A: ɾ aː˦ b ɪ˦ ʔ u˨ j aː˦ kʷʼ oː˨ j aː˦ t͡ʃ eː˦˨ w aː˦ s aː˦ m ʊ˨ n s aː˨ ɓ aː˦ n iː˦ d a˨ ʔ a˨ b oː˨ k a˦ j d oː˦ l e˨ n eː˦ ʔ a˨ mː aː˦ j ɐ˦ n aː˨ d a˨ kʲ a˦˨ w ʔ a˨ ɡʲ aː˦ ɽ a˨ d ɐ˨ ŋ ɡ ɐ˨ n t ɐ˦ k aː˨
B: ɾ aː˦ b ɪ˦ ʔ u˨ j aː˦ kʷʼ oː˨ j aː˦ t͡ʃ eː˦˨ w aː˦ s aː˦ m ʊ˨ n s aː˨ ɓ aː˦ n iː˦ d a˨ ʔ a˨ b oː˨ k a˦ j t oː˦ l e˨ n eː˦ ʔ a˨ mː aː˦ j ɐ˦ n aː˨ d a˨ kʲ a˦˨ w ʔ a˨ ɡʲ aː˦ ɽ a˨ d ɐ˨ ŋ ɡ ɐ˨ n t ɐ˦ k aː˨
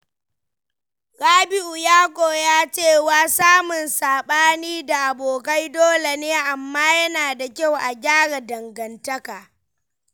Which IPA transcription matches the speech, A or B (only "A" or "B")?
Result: A